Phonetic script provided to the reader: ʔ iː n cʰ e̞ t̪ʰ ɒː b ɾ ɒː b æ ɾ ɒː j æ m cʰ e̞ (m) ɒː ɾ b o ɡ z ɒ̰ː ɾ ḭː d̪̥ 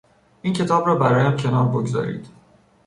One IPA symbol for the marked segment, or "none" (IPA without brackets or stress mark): n